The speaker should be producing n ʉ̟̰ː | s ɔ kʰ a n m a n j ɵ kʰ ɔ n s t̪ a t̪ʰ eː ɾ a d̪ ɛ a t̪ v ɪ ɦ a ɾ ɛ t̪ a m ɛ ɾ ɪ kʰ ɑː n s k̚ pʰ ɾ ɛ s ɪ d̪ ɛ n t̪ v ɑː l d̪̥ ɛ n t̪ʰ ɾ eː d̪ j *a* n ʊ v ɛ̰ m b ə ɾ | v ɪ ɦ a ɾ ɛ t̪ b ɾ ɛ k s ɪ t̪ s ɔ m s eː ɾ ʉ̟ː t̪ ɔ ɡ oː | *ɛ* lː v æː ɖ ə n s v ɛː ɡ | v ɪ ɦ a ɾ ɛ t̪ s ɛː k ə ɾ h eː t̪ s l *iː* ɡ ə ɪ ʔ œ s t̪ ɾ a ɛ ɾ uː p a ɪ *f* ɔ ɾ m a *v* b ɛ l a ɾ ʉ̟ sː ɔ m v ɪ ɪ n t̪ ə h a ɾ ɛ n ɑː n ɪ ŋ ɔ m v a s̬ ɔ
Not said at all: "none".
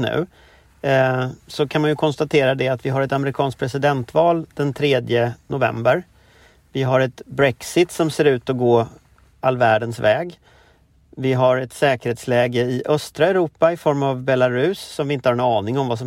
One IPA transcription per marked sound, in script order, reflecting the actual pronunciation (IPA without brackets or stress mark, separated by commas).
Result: ə, a, ɛː, f, v